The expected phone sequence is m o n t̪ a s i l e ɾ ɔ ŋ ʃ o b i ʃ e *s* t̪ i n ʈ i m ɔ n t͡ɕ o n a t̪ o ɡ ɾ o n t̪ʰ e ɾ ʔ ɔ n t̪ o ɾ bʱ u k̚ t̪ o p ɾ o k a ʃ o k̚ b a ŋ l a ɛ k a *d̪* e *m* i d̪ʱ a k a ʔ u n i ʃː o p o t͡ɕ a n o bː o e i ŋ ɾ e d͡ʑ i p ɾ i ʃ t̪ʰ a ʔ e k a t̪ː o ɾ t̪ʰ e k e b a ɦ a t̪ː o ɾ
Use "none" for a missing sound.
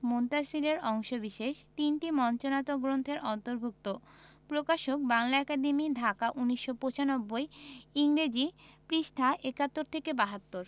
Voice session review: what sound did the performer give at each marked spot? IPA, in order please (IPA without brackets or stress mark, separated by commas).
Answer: ʃ, d̪, m